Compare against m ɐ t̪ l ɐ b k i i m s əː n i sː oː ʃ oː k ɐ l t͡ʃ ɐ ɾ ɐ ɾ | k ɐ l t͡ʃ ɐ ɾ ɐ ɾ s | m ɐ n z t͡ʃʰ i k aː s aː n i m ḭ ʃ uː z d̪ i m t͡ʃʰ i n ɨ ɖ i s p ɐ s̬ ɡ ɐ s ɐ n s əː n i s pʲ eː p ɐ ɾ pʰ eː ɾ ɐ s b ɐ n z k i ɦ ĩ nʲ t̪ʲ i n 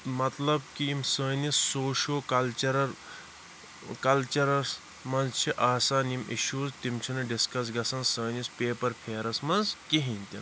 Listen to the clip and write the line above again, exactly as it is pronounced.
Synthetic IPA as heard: m ɐ t̪ l ɐ b k i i m s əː n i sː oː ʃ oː k ɐ l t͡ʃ ɐ ɾ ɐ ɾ | k ɐ l t͡ʃ ɐ ɾ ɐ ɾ s | m ɐ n z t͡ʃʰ i ʔ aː s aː n i m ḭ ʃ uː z t̪ i m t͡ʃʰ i n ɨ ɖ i s k ɐ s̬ ɡ ɐ s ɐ n s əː n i s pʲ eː p ɐ ɾ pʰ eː ɾ ɐ s m ɐ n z k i ɦ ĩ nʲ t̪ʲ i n